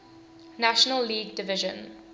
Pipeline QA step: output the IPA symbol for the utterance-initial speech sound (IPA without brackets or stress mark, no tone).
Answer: n